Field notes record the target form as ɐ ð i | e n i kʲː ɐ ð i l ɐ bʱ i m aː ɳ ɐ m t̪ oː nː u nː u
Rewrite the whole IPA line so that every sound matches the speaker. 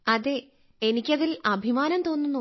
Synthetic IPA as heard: ɐ ð e | e n i kʲː ɐ ð i l ɐ bʱ i m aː n ɐ m t̪ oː nː u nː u